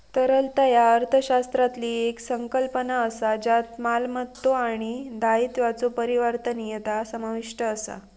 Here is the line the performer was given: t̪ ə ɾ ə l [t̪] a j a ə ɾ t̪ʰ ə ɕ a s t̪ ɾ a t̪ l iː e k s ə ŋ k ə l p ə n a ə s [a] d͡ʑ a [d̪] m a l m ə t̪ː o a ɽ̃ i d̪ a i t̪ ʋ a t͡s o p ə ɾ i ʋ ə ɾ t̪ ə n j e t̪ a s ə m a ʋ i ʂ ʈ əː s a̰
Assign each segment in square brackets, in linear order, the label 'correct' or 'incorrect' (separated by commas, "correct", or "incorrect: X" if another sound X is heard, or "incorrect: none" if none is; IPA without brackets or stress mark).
correct, correct, incorrect: t̪